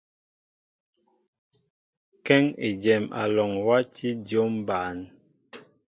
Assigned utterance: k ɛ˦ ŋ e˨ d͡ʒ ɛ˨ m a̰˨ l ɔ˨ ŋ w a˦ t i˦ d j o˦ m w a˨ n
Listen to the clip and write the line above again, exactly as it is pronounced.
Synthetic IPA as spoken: k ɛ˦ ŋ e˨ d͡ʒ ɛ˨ m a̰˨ l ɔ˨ ŋ w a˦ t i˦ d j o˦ m b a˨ n